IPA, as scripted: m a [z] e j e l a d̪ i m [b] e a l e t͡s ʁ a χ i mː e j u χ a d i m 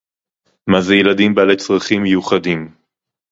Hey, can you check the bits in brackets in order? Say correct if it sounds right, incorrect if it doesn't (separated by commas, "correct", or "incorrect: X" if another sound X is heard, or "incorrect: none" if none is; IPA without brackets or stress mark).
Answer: correct, correct